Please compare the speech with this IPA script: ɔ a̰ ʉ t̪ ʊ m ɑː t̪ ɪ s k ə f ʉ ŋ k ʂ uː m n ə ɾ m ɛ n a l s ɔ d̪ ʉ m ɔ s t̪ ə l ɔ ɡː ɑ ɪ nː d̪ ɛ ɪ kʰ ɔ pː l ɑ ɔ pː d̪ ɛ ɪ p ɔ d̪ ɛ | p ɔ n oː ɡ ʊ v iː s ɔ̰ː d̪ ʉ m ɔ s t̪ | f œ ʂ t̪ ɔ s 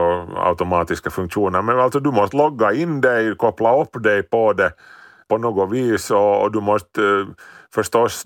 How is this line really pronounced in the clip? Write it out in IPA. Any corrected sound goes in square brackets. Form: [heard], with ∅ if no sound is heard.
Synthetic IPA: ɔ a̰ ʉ t̪ ʊ m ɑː t̪ ɪ s k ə f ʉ ŋ k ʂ uː [∅] n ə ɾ m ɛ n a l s ɔ d̪ ʉ m ɔ s t̪ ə l ɔ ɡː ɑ ɪ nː d̪ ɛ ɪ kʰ ɔ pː l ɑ ɔ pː d̪ ɛ ɪ p ɔ d̪ ɛ | p ɔ n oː ɡ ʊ [ʋ] iː s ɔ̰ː d̪ ʉ m ɔ s t̪ | f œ ʂ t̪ ɔ s